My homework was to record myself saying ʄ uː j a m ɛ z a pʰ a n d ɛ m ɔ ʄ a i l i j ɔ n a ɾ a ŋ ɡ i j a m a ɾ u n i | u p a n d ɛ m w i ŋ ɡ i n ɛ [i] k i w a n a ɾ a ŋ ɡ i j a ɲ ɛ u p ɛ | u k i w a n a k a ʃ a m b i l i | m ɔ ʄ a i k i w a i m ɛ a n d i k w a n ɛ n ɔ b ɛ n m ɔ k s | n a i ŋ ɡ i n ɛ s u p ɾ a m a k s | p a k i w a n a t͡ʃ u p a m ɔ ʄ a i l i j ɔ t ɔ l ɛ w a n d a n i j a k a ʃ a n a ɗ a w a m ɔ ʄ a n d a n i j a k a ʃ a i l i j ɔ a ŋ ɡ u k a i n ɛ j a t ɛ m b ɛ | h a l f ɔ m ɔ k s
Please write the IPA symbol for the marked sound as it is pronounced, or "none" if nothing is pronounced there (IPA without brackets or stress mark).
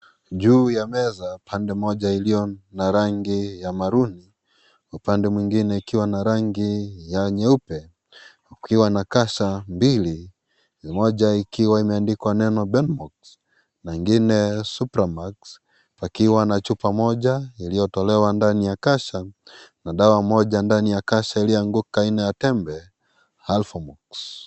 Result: i